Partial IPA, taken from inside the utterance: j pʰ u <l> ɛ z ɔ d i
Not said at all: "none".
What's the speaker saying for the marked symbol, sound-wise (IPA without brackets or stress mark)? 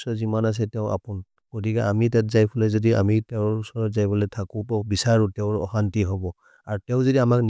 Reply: l